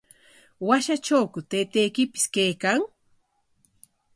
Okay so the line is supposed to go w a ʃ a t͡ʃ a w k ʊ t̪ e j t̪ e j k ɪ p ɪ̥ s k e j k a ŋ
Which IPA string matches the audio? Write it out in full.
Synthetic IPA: w a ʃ a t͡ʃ a w k ʊ t̪ e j t̪ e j k ɪ p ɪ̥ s k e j k a ŋ